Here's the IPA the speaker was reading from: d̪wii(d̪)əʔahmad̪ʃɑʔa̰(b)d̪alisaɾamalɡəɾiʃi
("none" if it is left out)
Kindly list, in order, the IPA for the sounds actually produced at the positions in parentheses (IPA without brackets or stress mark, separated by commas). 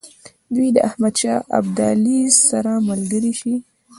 d̪, b